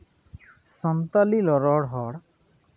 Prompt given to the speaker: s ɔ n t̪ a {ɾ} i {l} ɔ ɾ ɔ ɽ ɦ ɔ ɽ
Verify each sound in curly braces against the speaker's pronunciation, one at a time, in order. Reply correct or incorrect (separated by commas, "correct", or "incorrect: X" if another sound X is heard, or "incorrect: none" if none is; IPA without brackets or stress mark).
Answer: incorrect: l, correct